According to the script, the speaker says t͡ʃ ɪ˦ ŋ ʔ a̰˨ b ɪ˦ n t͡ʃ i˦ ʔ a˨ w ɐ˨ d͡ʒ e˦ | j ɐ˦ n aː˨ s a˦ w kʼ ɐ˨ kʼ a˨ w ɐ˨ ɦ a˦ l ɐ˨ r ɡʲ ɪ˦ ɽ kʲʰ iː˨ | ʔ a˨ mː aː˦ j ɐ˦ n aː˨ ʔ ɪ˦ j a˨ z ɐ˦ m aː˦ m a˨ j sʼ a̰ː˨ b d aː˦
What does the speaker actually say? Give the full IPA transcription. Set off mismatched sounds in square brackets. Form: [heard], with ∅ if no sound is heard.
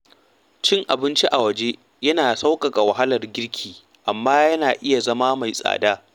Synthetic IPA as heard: t͡ʃ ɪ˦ ŋ ʔ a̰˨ b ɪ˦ n t͡ʃ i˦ ʔ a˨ w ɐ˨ d͡ʒ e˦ | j ɐ˦ n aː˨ s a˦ w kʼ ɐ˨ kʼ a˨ w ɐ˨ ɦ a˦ l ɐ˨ r ɡʲ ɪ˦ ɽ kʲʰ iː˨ | ʔ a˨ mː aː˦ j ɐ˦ n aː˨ ʔ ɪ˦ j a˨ z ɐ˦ m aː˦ m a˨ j sʼ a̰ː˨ [∅] d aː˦

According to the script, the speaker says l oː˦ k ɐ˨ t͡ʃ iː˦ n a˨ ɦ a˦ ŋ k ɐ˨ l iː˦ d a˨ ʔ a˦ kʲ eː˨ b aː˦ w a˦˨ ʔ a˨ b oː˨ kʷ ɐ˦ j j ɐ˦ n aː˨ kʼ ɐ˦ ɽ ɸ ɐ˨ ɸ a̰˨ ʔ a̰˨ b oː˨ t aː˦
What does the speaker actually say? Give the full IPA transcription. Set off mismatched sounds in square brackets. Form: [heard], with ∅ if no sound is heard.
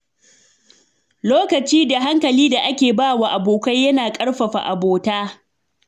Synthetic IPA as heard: l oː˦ k ɐ˨ t͡ʃ iː˦ [d] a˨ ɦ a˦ ŋ k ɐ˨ l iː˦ d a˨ ʔ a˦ kʲ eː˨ b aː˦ w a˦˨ ʔ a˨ b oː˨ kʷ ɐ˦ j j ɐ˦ n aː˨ kʼ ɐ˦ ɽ ɸ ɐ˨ ɸ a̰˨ ʔ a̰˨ b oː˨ t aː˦

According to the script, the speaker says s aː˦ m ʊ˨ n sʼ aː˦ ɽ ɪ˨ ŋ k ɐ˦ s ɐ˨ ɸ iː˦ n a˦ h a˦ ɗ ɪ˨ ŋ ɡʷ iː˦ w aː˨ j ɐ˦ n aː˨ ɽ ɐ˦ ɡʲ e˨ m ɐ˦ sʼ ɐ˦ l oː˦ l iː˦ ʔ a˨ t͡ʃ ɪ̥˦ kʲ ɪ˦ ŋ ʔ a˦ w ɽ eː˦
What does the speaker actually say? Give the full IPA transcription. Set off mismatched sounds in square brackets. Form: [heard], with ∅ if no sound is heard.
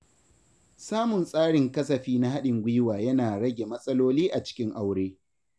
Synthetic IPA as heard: s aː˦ m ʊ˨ n sʼ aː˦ ɽ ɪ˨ ŋ k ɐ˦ s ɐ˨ ɸ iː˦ n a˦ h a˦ ɗ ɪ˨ ŋ ɡʷ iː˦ w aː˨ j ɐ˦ n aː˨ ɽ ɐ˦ ɡʲ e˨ m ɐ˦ sʼ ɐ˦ l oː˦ l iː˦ ʔ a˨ t͡ʃ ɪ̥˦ kʲ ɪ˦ ŋ ʔ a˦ w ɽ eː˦

